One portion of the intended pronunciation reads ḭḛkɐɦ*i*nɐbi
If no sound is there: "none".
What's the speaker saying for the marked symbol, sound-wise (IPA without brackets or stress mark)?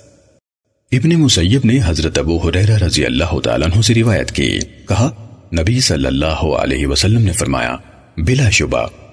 a